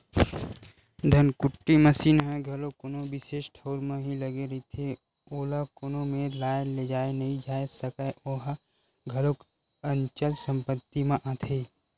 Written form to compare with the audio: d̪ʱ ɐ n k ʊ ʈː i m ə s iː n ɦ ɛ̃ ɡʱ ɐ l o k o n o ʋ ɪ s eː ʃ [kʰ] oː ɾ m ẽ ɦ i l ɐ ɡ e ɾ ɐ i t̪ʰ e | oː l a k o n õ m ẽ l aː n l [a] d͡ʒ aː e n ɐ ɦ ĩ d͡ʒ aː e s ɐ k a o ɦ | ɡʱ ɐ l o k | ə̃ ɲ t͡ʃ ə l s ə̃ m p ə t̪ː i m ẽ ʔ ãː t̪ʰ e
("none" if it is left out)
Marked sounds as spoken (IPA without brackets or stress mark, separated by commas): ʈʰ, e